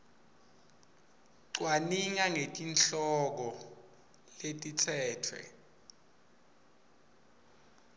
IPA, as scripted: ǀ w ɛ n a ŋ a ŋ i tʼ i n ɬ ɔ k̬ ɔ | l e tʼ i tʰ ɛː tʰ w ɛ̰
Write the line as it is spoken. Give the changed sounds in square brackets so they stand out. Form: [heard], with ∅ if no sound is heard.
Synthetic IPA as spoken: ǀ w [a] n [i] ŋ a ŋ [e] tʼ i n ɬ ɔ k̬ ɔ | l e tʼ i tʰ ɛː tʰ w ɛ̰

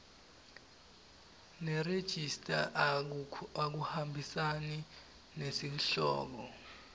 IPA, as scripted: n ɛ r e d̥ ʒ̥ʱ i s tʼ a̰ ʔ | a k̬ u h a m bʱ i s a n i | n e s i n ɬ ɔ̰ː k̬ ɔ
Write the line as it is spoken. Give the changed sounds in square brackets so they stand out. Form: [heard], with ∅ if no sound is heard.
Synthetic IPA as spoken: n ɛ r e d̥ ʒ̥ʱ i s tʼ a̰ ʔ | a k̬ u h a m bʱ i s a n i | n e s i n ɬ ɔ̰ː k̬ ɔ

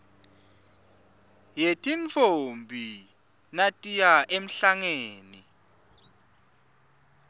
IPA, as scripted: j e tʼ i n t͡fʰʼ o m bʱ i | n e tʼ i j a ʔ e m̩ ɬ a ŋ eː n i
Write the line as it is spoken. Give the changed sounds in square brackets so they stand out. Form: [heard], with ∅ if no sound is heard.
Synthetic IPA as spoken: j e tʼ i n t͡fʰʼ o m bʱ i | n [a] tʼ i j a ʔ e m̩ ɬ a ŋ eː n i

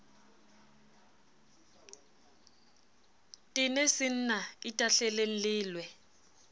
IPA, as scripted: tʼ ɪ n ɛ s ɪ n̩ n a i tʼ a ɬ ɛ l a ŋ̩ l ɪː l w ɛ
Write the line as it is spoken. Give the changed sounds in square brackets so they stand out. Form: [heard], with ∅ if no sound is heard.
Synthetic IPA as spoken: tʼ ɪ n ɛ s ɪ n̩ n a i tʼ a ɬ ɛ l [e] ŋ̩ l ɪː l w ɛ

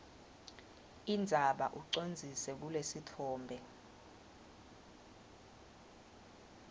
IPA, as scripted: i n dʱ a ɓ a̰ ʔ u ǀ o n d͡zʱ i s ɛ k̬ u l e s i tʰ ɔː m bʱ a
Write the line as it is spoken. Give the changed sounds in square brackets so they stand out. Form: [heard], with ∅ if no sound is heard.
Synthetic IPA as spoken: i n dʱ a ɓ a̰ ʔ u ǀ o n d͡zʱ i s ɛ k̬ u l e s i tʰ ɔː m bʱ [ɛ]

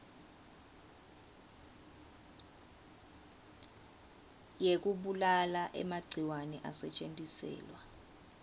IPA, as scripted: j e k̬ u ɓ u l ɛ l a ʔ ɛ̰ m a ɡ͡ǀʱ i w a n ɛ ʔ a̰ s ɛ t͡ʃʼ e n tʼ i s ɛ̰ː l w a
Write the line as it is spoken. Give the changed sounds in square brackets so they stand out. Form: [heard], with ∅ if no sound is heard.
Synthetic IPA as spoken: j e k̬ u ɓ u l [a] l a ʔ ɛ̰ m a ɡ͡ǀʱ i w a n ɛ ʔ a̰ s ɛ t͡ʃʼ e n tʼ i s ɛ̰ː l w a

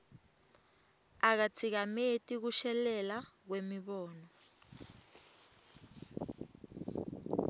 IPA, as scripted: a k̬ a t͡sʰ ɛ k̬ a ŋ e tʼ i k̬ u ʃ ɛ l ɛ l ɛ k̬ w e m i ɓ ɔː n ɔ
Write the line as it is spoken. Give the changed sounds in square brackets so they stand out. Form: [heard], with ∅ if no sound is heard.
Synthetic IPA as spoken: a k̬ a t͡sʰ [i] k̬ a [m] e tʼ i k̬ u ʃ ɛ l ɛ l [a] k̬ w e m i ɓ ɔː n ɔ

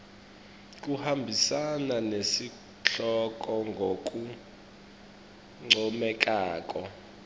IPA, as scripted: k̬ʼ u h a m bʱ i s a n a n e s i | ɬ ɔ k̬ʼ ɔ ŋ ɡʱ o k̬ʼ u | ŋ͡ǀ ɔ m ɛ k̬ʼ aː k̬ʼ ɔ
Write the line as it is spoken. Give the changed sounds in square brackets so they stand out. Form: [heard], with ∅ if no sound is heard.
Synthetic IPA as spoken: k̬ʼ u h a m bʱ i s a n a n e s i | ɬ ɔ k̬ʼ ɔ ŋ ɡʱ o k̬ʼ u | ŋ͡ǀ ɔ m ɛ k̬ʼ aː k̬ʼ ɔ

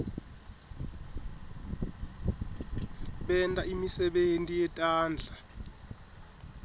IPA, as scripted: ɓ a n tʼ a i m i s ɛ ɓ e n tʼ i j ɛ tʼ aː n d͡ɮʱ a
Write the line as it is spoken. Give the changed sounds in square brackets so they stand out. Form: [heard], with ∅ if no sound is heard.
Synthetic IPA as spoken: ɓ [ɛ] n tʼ a i m i s ɛ ɓ e n tʼ i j ɛ tʼ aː n d͡ɮʱ a

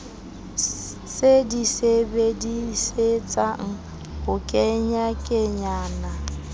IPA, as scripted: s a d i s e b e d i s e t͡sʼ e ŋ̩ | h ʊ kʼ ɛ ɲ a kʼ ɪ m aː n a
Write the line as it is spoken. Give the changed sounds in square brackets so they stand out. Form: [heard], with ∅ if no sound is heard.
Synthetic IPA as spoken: s [e] d i s e b e d i s e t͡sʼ [a] ŋ̩ | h ʊ kʼ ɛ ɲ a kʼ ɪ [ɲ] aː n a

